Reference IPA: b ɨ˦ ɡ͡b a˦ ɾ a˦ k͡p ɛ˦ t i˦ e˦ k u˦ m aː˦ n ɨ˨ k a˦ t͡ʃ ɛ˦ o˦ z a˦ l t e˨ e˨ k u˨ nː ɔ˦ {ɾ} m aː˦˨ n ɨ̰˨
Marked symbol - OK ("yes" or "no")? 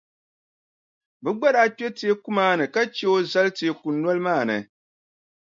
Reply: no